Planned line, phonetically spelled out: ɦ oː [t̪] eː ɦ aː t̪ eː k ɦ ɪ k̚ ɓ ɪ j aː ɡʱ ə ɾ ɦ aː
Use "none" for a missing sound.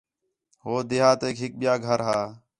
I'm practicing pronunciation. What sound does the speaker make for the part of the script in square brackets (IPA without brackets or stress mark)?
d̪